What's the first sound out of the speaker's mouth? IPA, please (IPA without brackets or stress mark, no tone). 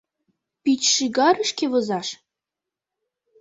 p